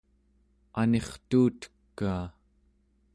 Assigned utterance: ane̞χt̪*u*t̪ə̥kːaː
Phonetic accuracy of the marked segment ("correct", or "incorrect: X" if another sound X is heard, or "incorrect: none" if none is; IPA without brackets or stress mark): incorrect: uː